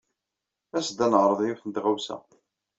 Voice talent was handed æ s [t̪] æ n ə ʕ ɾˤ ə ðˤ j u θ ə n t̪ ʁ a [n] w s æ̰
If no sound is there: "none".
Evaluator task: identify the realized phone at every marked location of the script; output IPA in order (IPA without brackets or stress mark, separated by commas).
d̪, none